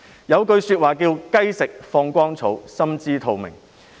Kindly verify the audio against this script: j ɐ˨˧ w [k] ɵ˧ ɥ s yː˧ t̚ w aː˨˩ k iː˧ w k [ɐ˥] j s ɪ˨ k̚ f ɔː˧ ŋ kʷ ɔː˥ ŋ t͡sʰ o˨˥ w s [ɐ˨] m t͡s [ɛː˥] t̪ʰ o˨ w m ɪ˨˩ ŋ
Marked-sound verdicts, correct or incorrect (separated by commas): correct, correct, incorrect, incorrect